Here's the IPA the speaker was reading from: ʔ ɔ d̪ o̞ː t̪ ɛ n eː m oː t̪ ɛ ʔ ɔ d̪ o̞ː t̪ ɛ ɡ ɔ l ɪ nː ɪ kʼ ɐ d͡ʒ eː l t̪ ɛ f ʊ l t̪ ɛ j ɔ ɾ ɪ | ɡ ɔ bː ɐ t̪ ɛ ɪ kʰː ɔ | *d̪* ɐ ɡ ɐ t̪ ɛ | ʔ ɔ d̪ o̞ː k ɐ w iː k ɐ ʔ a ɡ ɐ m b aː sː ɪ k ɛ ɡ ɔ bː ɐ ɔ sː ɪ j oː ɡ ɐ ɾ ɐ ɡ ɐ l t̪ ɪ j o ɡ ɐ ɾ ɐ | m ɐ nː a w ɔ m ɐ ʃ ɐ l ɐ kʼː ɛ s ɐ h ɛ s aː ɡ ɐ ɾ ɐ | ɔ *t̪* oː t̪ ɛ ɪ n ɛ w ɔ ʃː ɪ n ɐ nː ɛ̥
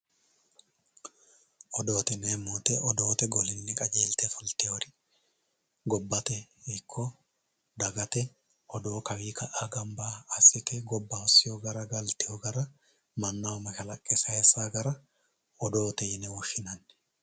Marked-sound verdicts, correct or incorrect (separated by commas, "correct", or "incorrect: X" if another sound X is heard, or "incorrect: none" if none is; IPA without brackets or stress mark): correct, incorrect: d̪